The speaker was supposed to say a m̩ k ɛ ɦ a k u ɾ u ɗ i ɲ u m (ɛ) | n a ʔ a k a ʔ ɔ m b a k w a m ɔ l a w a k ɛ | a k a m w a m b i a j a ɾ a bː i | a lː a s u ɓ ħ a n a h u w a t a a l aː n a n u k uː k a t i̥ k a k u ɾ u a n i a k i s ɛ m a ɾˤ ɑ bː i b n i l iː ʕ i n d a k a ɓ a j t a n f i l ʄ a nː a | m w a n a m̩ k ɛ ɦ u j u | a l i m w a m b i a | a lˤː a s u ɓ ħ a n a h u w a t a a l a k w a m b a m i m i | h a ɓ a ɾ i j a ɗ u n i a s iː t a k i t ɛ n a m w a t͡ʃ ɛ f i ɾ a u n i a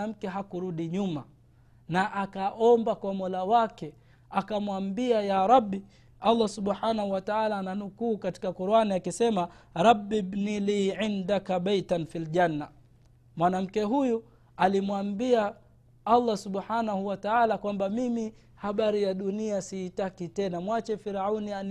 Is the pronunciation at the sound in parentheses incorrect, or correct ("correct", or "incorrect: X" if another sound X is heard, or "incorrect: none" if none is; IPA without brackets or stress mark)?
incorrect: a